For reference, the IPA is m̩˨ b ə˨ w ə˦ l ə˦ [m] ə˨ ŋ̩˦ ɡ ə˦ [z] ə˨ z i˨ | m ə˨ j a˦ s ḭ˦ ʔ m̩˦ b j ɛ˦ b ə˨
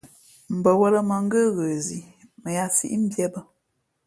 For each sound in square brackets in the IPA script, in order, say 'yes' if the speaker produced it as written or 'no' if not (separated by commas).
yes, no